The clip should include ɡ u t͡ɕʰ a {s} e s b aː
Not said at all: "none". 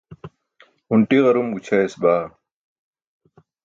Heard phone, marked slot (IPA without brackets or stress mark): none